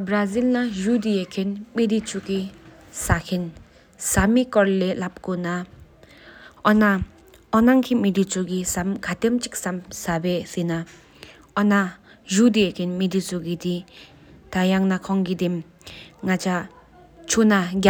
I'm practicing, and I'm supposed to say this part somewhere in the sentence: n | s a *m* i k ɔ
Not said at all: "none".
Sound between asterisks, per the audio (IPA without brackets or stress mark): m